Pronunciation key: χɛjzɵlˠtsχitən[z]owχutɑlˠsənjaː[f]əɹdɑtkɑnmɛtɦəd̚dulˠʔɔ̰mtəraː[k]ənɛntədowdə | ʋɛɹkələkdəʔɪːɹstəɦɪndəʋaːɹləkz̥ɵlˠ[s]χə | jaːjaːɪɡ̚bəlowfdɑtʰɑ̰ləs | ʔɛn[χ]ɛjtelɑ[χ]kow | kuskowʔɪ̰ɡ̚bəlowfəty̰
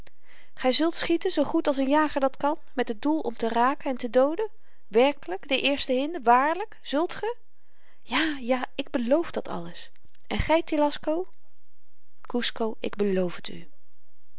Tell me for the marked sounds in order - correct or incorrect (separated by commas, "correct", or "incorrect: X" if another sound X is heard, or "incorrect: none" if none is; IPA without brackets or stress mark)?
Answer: correct, incorrect: χ, correct, incorrect: t, correct, incorrect: s